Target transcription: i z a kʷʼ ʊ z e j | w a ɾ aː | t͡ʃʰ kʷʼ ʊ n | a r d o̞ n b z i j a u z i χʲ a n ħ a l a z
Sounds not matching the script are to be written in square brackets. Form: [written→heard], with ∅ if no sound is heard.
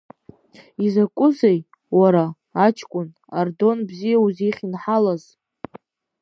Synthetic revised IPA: i z a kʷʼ ʊ z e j | w a ɾ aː | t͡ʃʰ kʷʼ ʊ n | a r d o̞ n b z i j a u z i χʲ [a→i] n ħ a l a z